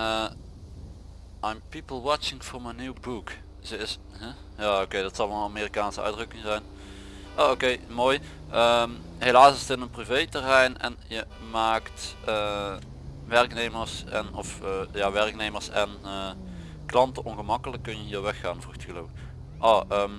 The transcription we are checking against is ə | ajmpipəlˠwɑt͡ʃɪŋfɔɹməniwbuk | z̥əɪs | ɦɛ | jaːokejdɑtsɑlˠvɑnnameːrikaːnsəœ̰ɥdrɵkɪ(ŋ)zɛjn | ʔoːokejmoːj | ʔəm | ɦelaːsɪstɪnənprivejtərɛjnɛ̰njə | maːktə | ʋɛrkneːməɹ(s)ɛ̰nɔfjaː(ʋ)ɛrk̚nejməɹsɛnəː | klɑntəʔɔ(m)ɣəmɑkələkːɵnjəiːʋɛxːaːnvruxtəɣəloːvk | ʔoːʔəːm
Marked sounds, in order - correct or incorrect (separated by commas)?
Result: correct, correct, correct, incorrect